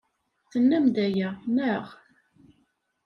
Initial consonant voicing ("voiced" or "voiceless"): voiceless